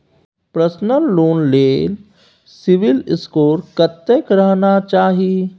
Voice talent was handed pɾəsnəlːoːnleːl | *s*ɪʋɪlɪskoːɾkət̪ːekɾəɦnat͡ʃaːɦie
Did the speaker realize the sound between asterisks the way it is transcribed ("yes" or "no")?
yes